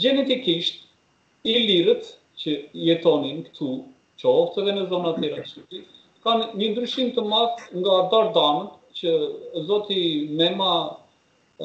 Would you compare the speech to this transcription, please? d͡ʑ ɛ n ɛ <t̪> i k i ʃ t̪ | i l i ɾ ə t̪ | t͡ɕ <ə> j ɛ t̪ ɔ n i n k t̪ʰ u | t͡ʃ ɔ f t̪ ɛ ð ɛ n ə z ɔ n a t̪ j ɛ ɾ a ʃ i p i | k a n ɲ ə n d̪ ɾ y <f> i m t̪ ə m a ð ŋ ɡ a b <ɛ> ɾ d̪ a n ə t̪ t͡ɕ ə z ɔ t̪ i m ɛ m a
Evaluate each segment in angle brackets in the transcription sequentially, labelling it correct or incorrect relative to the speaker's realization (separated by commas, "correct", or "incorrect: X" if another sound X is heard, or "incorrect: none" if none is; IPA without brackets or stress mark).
correct, correct, incorrect: ʃ, incorrect: a